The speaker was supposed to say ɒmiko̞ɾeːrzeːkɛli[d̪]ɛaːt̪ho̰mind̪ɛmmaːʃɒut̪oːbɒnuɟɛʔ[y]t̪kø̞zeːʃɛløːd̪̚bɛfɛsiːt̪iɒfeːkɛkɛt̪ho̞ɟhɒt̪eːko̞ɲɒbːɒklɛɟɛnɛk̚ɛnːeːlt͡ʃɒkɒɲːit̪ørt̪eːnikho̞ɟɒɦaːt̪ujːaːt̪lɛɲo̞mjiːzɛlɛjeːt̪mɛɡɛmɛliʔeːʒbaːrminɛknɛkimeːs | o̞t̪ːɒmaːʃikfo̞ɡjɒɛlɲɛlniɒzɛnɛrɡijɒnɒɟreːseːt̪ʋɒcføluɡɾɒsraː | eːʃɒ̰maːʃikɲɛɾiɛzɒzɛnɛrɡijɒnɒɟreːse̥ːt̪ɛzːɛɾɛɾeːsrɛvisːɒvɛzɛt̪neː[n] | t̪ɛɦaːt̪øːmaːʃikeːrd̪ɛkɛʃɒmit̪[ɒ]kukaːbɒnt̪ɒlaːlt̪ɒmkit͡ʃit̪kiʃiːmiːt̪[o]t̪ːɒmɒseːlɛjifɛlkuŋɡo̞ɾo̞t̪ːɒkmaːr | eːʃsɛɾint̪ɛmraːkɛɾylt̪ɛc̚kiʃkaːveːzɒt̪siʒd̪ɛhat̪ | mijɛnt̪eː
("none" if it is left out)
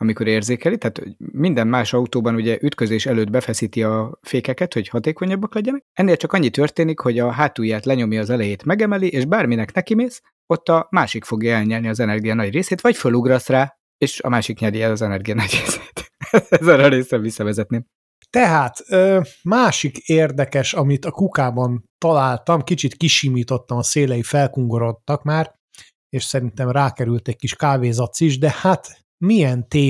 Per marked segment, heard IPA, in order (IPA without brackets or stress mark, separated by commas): t̪, y, m, ɒ, o